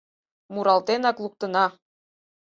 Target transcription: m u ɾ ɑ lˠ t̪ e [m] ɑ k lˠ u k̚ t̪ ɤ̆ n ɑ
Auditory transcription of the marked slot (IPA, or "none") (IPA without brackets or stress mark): n